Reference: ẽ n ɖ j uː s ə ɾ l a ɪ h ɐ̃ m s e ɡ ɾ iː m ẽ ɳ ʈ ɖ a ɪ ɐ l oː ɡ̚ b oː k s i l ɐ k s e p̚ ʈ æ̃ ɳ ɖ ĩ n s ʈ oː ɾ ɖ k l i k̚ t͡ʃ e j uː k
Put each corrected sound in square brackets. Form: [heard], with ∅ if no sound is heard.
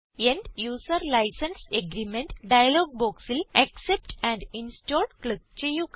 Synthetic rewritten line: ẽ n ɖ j uː s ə ɾ l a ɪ [s] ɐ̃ [n] s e ɡ ɾ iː m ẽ ɳ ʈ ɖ a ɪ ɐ l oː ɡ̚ b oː k s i l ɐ k s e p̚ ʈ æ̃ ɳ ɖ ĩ n s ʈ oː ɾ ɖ k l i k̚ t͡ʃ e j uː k